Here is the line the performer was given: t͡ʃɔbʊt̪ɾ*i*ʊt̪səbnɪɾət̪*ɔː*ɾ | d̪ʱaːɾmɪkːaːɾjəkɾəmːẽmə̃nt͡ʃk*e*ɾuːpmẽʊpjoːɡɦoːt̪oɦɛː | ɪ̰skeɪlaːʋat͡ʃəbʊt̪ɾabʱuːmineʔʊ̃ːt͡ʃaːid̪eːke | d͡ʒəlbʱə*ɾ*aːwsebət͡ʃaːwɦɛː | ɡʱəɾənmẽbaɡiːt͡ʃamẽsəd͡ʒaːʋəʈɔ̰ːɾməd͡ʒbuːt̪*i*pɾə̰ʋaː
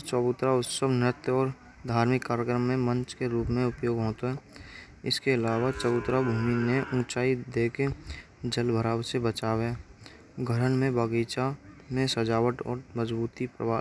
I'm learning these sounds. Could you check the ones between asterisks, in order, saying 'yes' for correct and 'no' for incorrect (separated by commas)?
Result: no, yes, yes, yes, yes